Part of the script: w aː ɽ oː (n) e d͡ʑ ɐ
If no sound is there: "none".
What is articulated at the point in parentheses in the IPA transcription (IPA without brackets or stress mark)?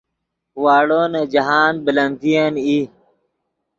n